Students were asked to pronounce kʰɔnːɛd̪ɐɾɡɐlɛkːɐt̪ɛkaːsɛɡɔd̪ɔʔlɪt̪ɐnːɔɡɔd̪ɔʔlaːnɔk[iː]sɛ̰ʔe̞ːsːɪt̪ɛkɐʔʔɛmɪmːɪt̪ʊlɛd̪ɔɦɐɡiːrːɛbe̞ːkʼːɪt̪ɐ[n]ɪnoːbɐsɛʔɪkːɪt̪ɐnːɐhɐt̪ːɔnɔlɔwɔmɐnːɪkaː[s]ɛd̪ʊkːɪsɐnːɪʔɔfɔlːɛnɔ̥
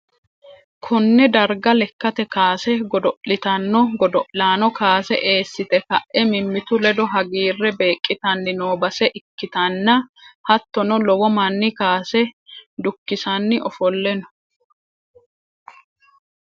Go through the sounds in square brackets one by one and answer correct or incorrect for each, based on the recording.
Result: incorrect: aː, incorrect: nː, correct

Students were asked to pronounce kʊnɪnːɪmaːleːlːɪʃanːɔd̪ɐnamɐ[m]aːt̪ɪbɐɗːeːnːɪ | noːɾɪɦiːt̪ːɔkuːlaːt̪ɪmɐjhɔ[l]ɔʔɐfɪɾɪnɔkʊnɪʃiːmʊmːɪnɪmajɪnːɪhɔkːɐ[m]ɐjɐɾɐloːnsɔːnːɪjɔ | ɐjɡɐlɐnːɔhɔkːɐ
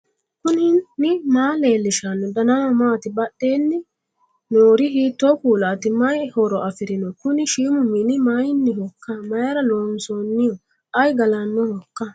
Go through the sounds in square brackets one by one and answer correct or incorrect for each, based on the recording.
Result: correct, incorrect: ɾ, correct

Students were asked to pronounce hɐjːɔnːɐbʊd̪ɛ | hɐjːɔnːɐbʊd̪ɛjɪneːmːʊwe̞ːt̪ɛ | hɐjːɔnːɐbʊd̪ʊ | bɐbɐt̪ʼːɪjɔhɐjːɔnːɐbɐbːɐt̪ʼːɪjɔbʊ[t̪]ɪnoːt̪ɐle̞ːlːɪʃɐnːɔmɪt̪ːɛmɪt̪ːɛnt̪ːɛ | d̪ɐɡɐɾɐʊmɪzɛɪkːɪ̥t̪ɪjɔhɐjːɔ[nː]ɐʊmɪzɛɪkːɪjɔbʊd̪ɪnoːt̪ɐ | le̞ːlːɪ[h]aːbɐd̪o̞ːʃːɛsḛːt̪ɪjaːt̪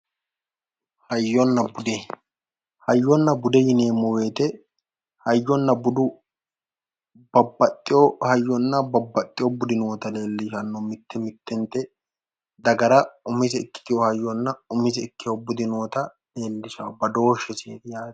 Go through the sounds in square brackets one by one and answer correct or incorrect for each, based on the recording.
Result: incorrect: d̪, correct, incorrect: ʃ

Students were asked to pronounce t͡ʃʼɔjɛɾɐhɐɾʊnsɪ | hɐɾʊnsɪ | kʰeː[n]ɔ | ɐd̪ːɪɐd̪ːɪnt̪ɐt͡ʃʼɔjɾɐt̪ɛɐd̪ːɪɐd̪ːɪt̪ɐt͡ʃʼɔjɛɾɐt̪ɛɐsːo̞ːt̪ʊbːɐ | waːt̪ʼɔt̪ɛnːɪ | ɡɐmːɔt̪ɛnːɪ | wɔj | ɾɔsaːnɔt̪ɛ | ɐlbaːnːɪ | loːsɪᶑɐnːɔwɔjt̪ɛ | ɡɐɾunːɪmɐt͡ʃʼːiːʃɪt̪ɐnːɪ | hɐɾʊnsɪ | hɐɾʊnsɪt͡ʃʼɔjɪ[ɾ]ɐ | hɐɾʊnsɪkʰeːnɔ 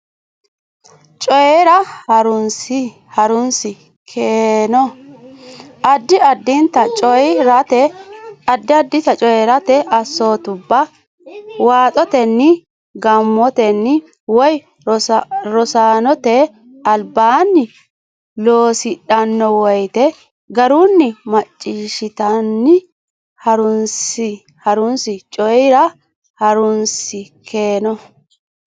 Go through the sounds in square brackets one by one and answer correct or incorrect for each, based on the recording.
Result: correct, correct

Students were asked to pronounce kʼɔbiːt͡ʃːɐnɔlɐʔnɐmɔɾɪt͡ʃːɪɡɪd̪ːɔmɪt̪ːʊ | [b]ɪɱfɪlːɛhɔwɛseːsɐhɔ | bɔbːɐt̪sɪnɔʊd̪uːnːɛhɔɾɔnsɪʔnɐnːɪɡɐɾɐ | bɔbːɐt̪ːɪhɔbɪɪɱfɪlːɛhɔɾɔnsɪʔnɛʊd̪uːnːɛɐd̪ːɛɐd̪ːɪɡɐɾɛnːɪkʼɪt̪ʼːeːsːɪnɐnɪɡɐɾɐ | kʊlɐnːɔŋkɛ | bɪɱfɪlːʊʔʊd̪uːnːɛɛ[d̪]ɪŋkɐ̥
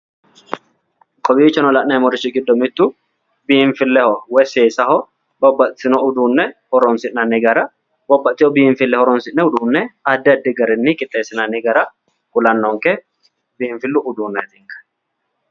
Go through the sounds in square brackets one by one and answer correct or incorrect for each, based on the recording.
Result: correct, incorrect: t̪

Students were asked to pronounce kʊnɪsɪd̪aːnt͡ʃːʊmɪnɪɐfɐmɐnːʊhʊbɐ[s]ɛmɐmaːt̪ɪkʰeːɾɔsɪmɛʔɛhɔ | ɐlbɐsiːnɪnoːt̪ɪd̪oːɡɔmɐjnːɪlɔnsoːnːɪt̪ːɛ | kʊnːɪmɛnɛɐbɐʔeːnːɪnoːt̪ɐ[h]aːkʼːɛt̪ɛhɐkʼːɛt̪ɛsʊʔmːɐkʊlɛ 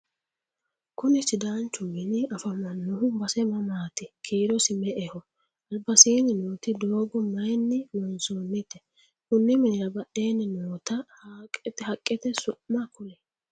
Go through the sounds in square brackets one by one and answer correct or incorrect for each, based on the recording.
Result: correct, correct

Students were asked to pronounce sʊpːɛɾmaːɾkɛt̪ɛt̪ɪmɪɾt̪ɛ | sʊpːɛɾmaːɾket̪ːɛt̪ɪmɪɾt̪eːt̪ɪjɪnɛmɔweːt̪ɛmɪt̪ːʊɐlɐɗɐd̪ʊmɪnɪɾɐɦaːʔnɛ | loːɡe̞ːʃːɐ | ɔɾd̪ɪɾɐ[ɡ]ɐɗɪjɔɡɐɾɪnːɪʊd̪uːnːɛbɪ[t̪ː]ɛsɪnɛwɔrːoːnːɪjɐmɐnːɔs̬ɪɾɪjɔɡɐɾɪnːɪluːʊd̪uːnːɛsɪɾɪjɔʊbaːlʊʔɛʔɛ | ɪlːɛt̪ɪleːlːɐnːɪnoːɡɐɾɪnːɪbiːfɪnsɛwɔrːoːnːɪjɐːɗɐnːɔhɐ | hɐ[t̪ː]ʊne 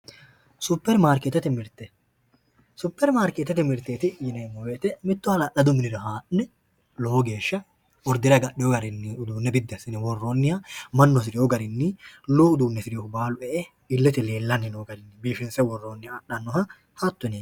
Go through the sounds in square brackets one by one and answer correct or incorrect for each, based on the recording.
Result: correct, incorrect: d̪ː, correct

